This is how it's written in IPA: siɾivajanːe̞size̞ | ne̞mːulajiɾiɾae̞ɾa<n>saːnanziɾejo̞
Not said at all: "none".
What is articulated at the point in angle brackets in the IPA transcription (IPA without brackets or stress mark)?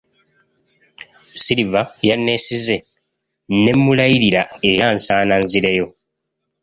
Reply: n